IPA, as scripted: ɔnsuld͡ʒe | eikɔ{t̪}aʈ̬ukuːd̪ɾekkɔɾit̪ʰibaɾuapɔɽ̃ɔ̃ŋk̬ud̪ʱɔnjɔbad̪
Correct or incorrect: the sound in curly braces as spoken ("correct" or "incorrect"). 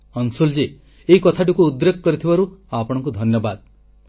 incorrect